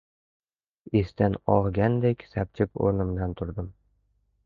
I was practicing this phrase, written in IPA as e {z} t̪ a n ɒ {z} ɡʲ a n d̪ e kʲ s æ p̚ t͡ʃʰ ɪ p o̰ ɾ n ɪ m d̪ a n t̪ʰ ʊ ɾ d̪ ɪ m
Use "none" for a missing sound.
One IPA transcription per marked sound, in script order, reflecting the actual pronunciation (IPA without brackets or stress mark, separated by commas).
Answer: s, ʁ